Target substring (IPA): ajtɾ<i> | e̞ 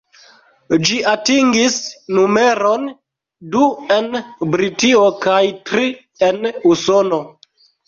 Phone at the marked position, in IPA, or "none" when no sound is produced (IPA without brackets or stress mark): i